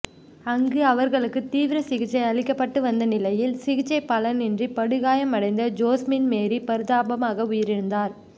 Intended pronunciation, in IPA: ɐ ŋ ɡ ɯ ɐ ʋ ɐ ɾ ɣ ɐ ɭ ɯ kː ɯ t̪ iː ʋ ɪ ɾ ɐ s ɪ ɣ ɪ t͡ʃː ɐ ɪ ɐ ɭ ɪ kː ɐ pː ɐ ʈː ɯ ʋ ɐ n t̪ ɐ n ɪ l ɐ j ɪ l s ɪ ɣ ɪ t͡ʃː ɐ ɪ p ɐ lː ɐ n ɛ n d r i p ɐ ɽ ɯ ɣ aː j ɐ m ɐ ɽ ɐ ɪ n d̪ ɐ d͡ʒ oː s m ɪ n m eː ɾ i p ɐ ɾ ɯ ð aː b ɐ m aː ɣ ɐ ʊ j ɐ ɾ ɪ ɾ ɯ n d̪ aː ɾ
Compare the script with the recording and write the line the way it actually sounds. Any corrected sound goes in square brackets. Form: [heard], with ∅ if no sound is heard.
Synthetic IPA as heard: ɐ ŋ ɡ ɯ ɐ ʋ ɐ ɾ ɣ ɐ ɭ ɯ kː ɯ t̪ iː ʋ ɪ ɾ ɐ s ɪ ɣ ɪ t͡ʃː ɐ ɪ ɐ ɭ ɪ kː ɐ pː ɐ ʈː ɯ ʋ ɐ n [d̪] ɐ n ɪ l ɐ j ɪ l s ɪ ɣ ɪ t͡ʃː ɐ ɪ p ɐ [l] ɐ n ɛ n d r i p ɐ ɽ ɯ ɣ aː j ɐ m ɐ ɽ ɐ ɪ n d̪ ɐ d͡ʒ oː s m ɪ n m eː ɾ i p ɐ ɾ ɯ ð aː b ɐ m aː ɣ ɐ ʊ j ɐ ɾ ɪ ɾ ɯ n d̪ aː ɾ